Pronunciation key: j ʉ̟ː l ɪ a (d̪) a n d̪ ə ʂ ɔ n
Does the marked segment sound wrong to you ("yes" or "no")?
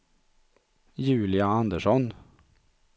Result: yes